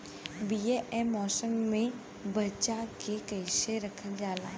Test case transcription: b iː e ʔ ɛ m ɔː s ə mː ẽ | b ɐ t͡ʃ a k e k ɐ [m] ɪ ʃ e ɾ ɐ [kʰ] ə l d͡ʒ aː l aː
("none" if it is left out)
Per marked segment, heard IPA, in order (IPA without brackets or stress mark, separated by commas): none, kʰ